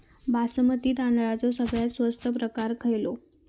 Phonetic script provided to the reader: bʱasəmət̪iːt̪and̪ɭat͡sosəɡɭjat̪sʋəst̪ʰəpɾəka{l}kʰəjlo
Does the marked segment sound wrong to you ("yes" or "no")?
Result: yes